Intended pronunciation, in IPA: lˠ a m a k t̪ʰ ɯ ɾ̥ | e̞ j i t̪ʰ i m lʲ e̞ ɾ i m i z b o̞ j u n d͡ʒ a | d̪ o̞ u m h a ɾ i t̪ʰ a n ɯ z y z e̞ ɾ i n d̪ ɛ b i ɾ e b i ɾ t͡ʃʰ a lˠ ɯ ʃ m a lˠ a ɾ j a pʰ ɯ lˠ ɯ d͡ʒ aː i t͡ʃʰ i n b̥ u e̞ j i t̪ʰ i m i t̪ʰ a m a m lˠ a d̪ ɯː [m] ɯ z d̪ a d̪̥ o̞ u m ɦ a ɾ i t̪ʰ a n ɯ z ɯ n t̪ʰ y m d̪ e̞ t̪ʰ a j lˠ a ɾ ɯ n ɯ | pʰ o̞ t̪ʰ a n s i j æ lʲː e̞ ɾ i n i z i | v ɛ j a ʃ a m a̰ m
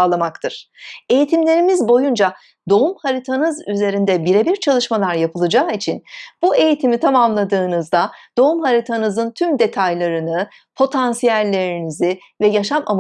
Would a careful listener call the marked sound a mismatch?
yes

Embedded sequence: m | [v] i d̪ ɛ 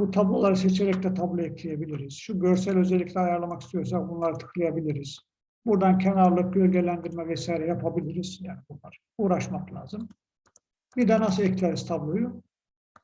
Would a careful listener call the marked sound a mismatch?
yes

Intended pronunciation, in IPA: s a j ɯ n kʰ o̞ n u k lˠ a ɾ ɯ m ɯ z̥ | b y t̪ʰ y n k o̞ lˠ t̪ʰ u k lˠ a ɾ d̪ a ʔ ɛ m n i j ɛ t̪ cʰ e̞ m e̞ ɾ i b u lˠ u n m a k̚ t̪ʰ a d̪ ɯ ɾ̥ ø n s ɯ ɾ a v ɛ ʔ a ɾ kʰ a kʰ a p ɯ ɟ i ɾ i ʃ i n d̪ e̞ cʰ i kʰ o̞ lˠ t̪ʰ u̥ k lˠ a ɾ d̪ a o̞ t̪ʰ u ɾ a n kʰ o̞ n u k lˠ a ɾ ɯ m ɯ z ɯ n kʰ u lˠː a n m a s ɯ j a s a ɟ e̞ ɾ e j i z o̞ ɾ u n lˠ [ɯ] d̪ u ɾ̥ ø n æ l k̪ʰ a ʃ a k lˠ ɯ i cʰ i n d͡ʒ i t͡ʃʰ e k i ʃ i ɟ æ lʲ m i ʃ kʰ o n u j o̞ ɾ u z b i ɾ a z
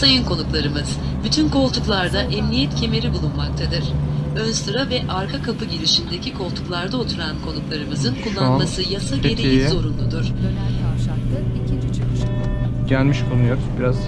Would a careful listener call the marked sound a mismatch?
yes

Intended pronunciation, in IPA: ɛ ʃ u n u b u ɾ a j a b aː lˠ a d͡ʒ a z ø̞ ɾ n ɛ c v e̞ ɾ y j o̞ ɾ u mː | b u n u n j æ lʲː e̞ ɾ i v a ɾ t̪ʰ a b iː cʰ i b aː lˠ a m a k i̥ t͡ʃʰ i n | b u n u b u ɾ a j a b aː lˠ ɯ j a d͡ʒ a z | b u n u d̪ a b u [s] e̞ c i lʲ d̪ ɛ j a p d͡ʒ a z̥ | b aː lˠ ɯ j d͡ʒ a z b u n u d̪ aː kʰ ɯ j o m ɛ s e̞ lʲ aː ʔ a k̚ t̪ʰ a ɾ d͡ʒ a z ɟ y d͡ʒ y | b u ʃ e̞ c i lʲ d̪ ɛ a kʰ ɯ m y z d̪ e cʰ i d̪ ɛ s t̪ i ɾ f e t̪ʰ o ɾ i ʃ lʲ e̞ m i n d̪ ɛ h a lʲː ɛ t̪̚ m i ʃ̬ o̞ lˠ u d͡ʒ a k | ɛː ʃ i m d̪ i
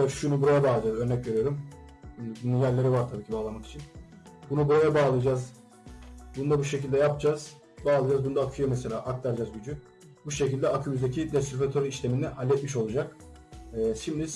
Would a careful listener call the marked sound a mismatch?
yes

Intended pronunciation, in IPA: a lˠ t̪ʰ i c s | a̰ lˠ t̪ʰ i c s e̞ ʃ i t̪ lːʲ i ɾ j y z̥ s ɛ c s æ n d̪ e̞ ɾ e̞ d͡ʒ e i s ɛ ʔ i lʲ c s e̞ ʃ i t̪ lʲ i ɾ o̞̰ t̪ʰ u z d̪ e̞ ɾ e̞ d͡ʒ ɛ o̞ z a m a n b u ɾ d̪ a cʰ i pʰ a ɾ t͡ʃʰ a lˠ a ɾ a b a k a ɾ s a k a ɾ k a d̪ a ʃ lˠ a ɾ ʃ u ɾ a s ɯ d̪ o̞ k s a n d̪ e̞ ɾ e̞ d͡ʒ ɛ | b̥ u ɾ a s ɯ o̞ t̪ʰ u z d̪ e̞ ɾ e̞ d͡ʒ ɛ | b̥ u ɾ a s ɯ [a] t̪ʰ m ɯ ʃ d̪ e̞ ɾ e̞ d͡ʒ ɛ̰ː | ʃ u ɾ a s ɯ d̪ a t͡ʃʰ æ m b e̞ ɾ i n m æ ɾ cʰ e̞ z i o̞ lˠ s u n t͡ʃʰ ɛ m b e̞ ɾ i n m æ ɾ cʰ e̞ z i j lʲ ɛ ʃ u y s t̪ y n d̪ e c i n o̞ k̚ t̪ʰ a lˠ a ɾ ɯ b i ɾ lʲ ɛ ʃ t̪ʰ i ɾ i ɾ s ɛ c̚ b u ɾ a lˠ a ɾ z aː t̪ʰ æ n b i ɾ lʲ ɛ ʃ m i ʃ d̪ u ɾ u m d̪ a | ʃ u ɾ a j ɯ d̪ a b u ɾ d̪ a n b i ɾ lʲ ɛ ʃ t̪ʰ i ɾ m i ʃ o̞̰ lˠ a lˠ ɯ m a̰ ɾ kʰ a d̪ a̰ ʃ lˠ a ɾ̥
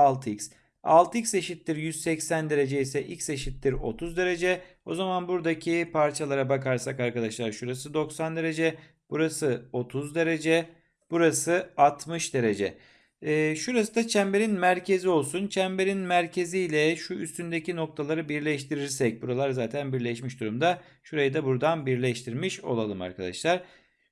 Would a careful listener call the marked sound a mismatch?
no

